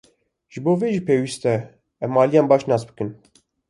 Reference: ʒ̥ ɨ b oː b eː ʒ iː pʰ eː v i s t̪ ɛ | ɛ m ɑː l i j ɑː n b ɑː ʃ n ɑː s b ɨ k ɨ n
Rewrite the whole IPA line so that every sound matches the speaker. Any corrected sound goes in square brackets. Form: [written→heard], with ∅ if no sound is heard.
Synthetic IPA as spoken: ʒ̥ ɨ b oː [b→v] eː ʒ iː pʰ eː [v→w] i s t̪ ɛ | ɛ m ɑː l i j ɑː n b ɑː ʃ n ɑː s b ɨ k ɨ n

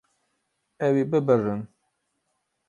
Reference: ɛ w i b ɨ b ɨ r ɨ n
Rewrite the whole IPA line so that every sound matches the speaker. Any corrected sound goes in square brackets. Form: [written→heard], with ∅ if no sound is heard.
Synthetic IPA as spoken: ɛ w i b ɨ b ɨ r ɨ n

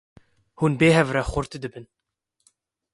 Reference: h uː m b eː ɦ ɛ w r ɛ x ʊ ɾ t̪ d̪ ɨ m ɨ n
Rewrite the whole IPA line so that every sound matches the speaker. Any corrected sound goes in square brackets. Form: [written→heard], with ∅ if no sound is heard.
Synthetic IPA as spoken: h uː [m→n] b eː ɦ ɛ [w→v] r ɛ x ʊ ɾ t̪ d̪ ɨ [m→b] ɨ n

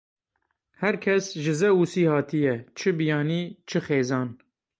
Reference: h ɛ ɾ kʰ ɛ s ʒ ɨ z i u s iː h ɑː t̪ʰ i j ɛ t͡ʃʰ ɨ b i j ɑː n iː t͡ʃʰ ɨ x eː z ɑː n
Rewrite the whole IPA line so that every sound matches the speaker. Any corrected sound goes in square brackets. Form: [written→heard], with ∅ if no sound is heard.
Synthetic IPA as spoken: h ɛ ɾ kʰ ɛ s ʒ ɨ z [i→ɛ] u s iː h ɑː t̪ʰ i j ɛ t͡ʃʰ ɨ b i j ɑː n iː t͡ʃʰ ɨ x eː z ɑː n

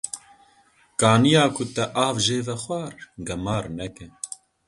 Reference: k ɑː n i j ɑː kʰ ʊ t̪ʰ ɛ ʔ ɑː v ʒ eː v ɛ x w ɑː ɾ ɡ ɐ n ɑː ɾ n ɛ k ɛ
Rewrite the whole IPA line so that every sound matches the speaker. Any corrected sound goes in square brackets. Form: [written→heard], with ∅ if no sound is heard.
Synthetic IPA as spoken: k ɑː n i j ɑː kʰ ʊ [t̪ʰ→t̪] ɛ ʔ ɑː v ʒ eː v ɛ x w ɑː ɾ ɡ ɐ [n→m] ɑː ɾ n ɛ k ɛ

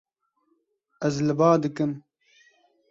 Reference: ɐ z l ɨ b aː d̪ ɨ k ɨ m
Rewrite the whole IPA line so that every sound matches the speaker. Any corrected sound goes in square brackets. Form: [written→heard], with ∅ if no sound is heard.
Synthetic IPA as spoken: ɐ z l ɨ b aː d̪ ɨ k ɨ m

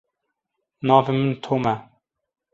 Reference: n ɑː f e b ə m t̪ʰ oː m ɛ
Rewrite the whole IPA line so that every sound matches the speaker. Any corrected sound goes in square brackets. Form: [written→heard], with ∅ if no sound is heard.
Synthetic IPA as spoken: n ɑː [f→v] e [b→m] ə [m→n] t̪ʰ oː m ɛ

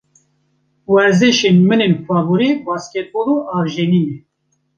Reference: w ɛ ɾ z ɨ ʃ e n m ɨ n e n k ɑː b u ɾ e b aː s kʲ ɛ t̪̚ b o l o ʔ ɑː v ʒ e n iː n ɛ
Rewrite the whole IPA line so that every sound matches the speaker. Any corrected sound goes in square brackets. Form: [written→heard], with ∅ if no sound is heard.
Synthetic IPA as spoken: w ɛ ɾ z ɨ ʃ e n m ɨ n e n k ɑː b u ɾ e b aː s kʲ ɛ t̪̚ b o l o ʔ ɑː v ʒ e n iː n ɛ

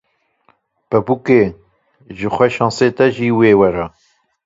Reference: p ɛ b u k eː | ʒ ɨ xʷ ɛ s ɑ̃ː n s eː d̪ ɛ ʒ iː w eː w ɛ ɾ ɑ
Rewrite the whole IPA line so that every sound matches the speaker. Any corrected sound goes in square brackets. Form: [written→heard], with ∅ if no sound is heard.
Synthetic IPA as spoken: p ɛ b u k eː | ʒ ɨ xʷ ɛ [s→ʃ] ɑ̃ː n s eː [d̪→t̪] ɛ ʒ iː w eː w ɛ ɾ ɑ

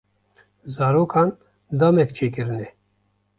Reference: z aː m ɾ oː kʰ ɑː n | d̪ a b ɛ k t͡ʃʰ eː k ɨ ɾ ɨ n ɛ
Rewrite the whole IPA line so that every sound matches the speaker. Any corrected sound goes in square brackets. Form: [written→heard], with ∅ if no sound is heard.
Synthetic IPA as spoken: z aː [m→∅] ɾ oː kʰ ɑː n | d̪ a [b→m] ɛ k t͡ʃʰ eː k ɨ ɾ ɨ n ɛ

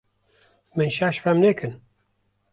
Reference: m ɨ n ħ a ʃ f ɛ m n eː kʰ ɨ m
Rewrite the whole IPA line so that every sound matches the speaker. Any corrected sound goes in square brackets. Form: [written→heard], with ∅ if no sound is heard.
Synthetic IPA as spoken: m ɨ n [ħ→ʃ] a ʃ f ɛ m n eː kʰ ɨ [m→n]

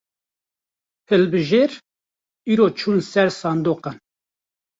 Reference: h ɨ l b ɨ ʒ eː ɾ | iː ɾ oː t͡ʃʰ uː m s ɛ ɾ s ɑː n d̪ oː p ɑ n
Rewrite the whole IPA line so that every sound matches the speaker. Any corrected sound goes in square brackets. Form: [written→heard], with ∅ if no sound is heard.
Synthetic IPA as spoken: h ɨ l b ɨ ʒ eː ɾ | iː ɾ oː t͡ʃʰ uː [m→n] s ɛ ɾ s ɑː n d̪ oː [p→q] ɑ n

